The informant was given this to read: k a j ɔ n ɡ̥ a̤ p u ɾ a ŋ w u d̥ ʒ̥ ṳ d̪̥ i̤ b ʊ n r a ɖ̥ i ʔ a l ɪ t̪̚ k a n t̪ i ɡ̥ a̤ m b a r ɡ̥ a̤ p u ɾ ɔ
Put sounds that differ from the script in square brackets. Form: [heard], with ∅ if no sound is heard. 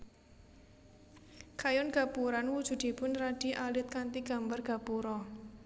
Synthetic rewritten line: k a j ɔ n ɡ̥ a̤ p u ɾ a [n] w u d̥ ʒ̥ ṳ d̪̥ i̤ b ʊ n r a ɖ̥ i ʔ a l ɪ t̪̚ k a n t̪ i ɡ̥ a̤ m b a r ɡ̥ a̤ p u ɾ ɔ